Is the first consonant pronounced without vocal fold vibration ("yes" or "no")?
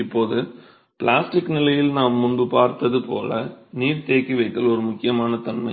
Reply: yes